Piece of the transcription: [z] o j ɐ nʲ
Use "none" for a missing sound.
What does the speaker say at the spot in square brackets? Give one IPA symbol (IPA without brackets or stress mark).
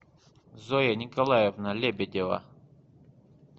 z